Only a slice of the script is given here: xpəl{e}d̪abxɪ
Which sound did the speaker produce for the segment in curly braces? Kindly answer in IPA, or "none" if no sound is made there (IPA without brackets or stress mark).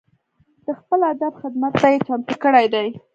a